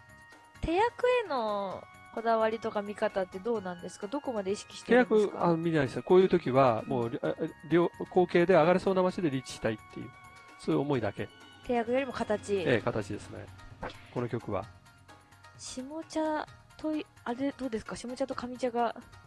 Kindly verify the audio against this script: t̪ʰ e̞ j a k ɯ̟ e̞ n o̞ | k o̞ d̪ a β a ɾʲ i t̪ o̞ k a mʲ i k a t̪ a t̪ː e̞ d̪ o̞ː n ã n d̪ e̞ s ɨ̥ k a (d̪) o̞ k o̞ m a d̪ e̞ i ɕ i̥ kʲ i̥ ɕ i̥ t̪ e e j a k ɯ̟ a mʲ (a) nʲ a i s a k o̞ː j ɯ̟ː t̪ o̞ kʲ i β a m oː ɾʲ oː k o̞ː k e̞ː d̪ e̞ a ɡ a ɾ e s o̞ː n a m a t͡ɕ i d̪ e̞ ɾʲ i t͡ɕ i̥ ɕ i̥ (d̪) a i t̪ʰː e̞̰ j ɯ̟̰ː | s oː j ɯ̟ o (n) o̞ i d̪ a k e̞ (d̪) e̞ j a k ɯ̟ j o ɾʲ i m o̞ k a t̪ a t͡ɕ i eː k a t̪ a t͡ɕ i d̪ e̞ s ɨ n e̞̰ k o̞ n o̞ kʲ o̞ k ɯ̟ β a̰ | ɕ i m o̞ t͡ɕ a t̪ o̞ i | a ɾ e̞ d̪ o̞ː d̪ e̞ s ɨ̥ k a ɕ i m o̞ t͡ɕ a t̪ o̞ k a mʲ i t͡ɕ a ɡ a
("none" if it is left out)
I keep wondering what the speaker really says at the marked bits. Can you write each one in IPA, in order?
d̪, i, t̪, m, t̪

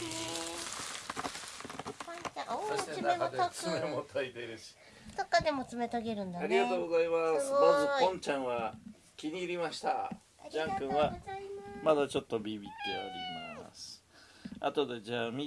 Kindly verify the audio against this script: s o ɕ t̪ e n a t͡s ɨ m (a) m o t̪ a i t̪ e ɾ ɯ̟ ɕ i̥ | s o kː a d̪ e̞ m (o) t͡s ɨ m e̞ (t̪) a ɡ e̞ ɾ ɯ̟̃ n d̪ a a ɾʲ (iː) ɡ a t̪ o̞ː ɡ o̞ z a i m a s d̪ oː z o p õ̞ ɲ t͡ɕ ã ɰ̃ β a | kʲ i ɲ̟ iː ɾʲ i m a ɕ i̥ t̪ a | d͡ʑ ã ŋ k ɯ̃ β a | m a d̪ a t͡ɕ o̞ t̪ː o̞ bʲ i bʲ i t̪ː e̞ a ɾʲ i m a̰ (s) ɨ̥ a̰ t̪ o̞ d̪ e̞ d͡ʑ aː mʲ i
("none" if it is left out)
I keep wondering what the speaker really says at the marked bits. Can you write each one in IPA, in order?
e, o, t̪, i, s

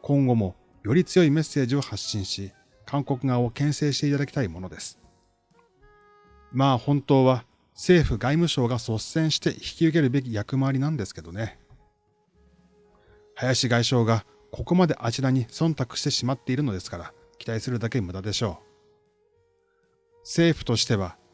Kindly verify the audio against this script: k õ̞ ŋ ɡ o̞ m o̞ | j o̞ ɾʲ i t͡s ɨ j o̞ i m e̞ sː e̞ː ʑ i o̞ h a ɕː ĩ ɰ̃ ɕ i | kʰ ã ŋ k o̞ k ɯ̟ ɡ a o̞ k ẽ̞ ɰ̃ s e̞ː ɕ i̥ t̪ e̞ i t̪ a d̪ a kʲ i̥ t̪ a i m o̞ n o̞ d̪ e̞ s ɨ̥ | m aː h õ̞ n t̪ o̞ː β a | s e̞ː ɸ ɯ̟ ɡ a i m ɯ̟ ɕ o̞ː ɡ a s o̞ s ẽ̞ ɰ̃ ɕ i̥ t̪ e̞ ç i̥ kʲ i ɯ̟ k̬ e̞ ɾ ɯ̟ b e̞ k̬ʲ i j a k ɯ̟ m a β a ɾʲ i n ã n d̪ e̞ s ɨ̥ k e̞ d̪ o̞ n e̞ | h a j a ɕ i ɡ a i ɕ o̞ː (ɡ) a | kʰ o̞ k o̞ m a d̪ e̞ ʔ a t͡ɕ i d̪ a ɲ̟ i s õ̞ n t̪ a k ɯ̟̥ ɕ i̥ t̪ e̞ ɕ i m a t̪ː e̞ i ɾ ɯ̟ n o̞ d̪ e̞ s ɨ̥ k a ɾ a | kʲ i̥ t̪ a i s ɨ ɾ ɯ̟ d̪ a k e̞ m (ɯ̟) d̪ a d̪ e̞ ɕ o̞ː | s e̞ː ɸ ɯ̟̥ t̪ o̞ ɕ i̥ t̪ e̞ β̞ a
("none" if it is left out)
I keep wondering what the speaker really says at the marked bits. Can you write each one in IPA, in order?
ɡ, ɯ̟

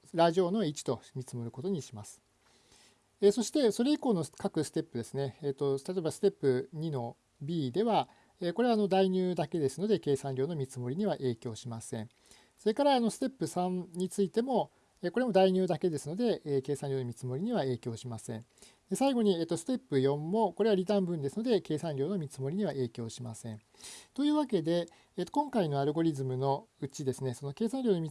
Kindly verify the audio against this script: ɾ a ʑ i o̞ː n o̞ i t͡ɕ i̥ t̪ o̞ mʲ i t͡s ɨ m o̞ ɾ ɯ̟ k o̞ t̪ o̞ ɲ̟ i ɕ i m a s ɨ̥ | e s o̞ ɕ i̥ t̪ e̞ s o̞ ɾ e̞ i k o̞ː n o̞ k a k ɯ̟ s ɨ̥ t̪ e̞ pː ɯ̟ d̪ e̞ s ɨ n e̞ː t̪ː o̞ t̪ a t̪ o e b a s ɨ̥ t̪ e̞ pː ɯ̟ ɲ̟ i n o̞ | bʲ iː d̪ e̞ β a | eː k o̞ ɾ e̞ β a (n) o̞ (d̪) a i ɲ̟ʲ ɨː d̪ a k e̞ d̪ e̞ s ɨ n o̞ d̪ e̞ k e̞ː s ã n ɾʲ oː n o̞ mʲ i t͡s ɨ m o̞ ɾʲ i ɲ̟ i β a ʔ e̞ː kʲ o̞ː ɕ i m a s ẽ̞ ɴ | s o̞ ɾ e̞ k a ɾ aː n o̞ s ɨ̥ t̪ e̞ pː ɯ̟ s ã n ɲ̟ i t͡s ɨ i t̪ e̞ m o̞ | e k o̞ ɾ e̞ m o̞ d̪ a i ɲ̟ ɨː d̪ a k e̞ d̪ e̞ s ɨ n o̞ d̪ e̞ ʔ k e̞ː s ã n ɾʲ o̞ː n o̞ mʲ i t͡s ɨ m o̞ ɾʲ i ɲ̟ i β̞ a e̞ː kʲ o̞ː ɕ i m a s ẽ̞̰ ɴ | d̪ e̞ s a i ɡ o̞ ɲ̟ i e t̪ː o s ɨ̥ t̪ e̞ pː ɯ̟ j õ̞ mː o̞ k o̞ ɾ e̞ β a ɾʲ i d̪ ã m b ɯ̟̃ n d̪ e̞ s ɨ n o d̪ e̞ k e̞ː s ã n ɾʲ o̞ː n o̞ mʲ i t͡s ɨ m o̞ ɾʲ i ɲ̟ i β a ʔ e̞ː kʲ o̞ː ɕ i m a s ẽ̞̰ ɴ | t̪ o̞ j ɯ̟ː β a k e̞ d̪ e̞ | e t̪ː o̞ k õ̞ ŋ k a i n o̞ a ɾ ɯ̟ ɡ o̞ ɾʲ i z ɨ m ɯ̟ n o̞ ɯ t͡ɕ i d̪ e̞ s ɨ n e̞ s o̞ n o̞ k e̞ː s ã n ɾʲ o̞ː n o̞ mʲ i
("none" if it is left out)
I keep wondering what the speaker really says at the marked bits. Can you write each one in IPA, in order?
n, d̪

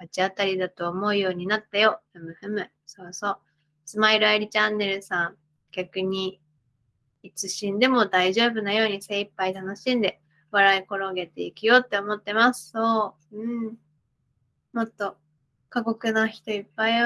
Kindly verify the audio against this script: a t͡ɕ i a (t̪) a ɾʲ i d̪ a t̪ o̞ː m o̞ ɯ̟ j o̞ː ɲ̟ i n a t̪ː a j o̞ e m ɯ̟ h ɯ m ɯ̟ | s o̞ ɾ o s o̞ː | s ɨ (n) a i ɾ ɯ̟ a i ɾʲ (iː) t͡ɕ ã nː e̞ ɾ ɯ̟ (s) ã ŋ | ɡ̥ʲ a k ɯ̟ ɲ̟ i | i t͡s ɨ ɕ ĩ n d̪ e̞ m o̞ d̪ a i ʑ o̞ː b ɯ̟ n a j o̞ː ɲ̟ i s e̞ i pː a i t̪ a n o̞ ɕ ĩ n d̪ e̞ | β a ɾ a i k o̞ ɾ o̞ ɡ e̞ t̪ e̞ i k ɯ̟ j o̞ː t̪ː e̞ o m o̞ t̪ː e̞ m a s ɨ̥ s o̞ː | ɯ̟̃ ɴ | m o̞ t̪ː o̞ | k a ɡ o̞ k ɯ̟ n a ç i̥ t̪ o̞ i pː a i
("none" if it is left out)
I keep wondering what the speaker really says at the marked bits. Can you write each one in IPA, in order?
t̪, m, i, s

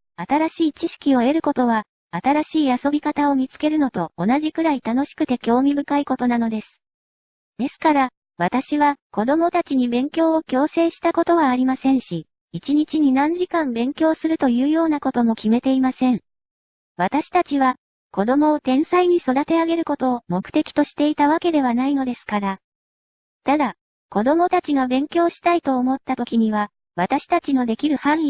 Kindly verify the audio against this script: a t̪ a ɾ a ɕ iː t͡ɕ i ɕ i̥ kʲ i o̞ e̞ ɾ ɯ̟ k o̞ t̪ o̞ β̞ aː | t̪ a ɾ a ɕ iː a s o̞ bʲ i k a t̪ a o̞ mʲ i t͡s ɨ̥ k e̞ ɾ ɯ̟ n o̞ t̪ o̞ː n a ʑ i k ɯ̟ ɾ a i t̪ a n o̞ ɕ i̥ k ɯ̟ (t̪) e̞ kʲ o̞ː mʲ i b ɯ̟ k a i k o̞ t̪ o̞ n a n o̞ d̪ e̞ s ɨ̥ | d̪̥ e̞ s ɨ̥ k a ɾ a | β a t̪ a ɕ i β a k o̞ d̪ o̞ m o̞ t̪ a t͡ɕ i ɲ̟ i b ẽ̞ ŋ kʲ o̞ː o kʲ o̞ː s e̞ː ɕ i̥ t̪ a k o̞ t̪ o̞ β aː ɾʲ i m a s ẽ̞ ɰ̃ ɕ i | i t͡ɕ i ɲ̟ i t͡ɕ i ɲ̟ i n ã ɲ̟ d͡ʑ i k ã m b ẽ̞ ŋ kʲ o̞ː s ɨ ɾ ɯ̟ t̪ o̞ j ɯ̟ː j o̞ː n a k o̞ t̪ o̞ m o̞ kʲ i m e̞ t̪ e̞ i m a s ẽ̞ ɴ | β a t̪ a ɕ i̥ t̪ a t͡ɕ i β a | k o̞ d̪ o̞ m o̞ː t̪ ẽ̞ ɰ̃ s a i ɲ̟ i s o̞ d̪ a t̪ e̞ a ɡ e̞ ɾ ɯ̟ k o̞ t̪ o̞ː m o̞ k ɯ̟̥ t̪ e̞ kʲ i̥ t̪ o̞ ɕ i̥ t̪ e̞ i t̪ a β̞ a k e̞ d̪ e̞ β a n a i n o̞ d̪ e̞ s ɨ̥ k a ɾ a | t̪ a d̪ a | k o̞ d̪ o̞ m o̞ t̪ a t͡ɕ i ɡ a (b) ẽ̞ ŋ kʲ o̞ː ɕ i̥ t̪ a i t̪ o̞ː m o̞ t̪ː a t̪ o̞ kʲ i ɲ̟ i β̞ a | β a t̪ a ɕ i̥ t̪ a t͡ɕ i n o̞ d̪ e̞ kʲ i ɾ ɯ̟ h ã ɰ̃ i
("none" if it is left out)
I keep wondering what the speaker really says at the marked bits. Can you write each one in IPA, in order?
t̪, b

